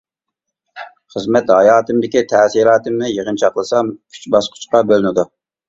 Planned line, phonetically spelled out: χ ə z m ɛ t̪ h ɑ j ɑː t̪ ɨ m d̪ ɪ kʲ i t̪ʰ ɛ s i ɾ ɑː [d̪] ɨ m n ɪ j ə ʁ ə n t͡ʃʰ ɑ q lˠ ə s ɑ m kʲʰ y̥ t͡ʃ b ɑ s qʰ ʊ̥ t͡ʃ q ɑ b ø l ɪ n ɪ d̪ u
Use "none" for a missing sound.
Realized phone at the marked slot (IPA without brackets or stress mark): t̪